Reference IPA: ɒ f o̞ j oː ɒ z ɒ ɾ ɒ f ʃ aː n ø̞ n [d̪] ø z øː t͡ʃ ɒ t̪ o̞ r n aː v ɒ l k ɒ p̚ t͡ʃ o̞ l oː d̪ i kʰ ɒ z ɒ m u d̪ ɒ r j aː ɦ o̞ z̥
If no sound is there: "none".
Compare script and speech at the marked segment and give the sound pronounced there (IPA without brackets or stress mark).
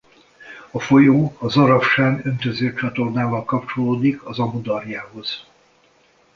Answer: t̪